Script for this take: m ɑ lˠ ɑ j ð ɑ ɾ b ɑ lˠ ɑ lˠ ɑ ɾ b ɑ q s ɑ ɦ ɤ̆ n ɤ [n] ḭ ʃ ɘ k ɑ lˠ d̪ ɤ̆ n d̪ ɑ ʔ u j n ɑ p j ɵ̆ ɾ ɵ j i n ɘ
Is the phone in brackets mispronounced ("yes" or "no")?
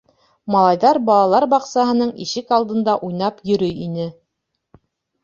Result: yes